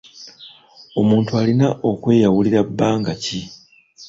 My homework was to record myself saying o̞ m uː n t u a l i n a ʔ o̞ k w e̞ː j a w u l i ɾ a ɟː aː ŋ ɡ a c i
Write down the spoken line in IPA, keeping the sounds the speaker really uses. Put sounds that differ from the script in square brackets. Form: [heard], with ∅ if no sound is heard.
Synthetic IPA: o̞ m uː n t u a l i n a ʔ o̞ k w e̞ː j a w u l i ɾ a [bː] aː ŋ ɡ a c i